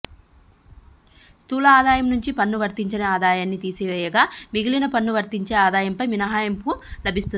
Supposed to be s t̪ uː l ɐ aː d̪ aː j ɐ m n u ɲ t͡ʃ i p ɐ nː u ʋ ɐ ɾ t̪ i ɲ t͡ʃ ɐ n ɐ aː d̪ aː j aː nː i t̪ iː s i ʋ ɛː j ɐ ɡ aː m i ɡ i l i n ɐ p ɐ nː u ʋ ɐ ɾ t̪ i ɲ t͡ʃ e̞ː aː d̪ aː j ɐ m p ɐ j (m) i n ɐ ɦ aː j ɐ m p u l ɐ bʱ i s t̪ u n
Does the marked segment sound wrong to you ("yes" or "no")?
no